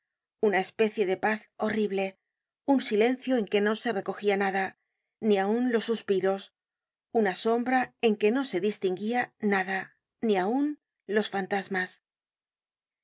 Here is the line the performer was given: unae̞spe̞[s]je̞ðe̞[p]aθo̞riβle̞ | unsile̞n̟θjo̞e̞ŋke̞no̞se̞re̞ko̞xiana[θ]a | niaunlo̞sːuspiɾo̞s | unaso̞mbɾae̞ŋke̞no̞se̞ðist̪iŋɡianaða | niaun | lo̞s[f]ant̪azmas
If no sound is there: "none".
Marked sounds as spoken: θ, p, ð, f

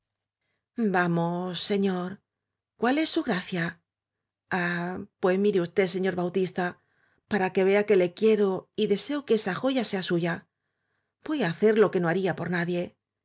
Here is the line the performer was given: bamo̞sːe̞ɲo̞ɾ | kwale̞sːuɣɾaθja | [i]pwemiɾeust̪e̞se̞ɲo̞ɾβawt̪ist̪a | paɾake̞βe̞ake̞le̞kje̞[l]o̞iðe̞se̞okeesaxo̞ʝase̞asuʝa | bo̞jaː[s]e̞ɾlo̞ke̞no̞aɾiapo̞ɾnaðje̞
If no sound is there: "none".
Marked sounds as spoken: a, ɾ, θ

